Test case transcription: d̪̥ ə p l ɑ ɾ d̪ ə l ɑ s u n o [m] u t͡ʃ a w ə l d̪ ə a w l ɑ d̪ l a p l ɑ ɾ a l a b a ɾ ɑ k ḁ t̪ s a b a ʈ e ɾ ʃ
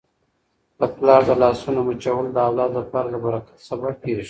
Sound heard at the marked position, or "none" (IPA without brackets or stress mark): m